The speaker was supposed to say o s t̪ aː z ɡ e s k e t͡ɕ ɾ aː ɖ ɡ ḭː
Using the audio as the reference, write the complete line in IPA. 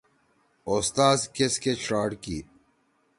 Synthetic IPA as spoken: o s t̪ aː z k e s k e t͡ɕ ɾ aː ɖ k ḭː